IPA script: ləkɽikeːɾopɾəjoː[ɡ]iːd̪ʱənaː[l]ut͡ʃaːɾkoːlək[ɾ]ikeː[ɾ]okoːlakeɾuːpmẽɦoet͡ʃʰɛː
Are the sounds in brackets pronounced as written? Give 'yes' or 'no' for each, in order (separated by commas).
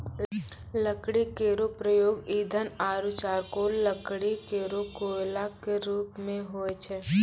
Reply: yes, no, no, yes